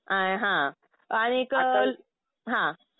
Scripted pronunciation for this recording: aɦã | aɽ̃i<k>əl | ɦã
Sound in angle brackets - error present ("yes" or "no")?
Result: no